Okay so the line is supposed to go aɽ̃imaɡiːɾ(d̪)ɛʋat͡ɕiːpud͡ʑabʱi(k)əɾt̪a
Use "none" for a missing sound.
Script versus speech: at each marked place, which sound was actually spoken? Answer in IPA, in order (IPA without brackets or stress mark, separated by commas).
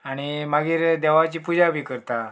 d̪, k